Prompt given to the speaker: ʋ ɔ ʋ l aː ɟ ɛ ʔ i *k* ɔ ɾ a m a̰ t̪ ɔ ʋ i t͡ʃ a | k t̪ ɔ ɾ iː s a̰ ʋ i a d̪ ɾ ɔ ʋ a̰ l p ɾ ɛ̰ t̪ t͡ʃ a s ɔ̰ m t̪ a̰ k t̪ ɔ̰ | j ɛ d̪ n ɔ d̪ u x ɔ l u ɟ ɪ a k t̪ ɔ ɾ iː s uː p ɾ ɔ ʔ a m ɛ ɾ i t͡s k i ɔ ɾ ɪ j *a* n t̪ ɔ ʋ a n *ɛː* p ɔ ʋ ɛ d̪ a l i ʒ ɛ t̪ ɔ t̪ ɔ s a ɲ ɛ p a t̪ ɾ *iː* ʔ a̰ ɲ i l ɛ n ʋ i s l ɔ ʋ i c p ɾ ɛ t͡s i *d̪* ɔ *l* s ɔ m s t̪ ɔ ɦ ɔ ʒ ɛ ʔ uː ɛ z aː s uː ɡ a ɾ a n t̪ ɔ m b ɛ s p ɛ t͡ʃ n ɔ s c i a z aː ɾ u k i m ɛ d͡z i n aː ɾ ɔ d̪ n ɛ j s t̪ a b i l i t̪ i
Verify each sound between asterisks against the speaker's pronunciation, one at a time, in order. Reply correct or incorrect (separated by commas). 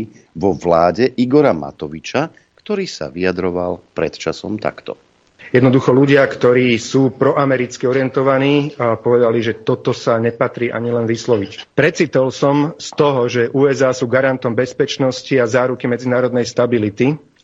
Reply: incorrect, incorrect, incorrect, correct, incorrect, correct